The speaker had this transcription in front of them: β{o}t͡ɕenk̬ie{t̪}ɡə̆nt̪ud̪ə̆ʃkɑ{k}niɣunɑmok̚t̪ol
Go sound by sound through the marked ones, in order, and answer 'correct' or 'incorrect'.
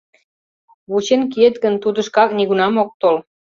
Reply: incorrect: u, correct, correct

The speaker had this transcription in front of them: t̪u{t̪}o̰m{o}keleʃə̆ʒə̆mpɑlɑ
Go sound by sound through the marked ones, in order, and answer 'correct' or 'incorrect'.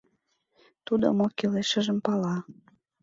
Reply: incorrect: d̪, correct

